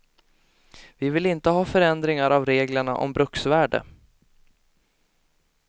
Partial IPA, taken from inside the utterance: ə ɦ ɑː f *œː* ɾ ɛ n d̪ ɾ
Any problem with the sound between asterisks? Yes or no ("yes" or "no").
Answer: yes